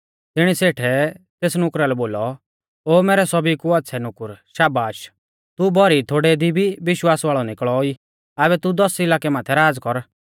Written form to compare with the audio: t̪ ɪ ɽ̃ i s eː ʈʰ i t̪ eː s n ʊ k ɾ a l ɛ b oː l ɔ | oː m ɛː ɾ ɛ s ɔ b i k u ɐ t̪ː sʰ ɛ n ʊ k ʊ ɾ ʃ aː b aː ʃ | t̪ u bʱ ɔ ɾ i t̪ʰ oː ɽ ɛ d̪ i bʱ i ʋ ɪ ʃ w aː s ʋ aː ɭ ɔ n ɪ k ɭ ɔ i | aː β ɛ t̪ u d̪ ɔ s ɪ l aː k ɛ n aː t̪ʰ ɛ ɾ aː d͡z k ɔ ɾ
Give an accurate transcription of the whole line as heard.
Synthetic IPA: t̪ ɪ ɽ̃ i s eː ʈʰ ɛ t̪ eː s n ʊ k ɾ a l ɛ b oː l ɔ | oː m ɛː ɾ ɛ s ɔ b i k u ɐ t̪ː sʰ ɛ n ʊ k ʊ ɾ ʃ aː b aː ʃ | t̪ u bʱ ɔ ɾ i t̪ʰ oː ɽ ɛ d̪ i bʱ i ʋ ɪ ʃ w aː s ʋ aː ɭ ɔ n ɪ k ɭ ɔ i | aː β ɛ t̪ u d̪ ɔ s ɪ l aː k ɛ m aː t̪ʰ ɛ ɾ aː d͡z k ɔ ɾ